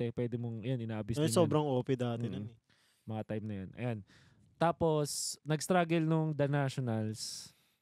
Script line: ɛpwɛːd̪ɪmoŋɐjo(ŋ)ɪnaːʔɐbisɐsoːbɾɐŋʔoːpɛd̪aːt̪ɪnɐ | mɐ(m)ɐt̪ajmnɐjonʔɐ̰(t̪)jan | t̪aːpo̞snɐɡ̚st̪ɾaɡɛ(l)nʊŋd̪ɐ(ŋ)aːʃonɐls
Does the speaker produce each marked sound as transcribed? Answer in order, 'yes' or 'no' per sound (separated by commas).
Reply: no, no, no, yes, no